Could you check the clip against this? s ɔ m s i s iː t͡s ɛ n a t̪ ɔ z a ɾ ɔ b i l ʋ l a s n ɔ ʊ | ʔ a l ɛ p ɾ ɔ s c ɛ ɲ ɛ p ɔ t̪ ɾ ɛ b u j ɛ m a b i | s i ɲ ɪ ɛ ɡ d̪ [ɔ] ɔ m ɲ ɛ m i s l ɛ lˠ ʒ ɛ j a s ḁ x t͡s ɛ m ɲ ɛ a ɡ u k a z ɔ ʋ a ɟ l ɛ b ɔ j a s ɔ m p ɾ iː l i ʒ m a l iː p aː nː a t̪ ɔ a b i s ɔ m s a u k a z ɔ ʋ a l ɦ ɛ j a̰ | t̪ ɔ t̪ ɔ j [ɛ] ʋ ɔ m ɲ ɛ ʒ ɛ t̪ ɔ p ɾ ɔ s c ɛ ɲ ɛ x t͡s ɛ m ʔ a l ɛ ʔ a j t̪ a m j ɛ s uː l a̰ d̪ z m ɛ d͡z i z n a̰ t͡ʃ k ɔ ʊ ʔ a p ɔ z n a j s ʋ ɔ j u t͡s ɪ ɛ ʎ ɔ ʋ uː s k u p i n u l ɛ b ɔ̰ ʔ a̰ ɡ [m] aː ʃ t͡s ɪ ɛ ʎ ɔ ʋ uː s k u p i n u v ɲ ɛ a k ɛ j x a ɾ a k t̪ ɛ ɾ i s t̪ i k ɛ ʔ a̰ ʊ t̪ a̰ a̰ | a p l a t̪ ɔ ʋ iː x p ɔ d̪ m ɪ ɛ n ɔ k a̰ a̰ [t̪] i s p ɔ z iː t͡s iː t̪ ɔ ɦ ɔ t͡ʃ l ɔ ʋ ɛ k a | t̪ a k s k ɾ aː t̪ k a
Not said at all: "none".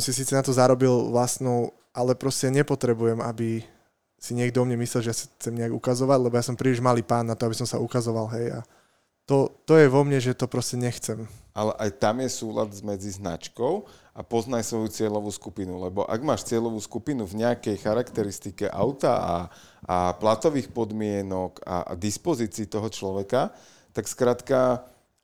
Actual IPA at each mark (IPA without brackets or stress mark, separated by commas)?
ɔ, ɛ, m, d̪